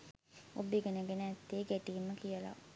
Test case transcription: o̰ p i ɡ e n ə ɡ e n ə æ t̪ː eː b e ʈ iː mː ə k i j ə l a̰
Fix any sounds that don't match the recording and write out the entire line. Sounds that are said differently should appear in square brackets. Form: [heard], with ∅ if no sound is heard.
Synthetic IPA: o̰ [b] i ɡ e n ə ɡ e n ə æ t̪ː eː [ɡ] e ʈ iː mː ə k i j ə l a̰